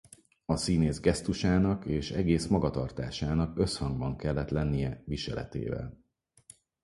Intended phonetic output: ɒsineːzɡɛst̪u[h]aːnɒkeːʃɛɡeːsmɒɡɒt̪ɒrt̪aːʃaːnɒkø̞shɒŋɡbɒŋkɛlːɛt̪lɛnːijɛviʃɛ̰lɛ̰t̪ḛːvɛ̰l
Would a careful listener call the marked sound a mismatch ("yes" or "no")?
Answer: yes